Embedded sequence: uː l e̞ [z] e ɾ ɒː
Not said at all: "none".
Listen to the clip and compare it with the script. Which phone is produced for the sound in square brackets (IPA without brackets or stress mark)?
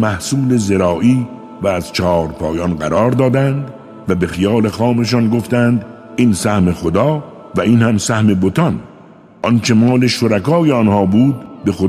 z